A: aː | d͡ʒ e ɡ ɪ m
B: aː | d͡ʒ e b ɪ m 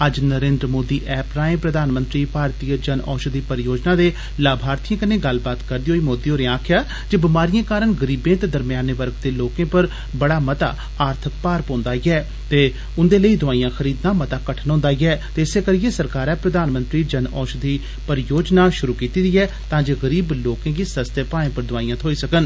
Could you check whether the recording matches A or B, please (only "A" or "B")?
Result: B